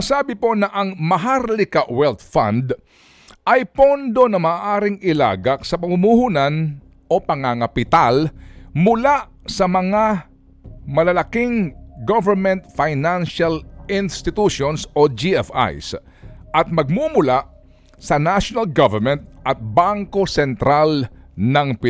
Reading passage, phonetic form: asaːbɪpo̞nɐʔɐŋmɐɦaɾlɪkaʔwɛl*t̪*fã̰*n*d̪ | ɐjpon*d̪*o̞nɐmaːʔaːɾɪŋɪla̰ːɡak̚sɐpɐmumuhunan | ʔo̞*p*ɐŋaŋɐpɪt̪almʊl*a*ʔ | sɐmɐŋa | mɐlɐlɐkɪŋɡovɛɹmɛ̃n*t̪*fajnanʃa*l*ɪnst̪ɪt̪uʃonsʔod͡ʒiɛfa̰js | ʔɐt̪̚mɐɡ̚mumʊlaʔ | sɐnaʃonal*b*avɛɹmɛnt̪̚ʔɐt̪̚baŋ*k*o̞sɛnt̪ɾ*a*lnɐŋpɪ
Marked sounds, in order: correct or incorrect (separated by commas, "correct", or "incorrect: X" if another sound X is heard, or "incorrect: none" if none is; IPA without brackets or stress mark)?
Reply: correct, correct, correct, correct, correct, correct, correct, incorrect: ɡ, correct, correct